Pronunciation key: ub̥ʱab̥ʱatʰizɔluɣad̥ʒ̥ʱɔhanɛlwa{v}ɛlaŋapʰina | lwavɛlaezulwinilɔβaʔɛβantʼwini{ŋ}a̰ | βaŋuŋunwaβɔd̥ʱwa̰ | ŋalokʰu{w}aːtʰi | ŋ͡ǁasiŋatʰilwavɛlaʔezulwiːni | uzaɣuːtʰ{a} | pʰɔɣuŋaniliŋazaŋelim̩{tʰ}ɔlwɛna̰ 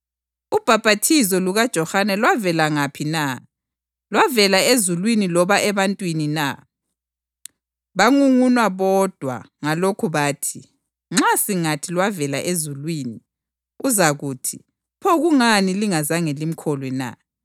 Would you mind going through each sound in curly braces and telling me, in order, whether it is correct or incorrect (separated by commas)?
correct, incorrect, incorrect, incorrect, incorrect